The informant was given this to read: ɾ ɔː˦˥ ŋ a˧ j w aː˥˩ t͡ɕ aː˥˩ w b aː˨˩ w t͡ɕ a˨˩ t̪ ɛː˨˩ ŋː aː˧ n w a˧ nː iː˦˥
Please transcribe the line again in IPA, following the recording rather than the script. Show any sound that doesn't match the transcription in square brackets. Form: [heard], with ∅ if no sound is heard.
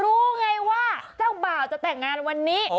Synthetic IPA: ɾ [uː˦˥] ŋ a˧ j w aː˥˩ t͡ɕ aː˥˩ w b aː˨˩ w t͡ɕ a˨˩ t̪ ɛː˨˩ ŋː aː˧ n w a˧ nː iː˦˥